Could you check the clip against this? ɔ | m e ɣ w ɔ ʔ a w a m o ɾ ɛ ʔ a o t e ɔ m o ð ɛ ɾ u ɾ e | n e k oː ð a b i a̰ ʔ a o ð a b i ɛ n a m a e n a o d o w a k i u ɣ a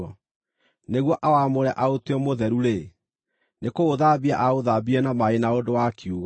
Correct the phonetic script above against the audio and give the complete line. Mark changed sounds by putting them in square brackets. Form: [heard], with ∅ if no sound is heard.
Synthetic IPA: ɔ | [n] e ɣ w ɔ ʔ a w a m o ɾ ɛ ʔ a o t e ɔ m o ð ɛ ɾ u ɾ e | n e k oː ð a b i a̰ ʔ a o ð a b i ɛ n a m a e n a o d o w a k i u ɣ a